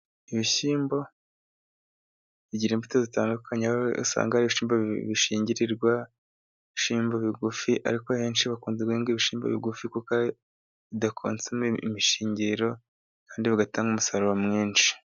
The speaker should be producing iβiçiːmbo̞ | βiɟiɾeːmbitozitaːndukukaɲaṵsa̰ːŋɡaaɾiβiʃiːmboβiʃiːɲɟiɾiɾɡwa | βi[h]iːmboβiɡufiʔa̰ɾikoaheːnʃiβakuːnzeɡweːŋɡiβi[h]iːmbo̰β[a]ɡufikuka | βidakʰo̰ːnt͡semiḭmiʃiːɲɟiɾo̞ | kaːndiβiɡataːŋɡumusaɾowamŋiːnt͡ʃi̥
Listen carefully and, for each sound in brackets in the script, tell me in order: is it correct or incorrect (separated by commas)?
incorrect, incorrect, incorrect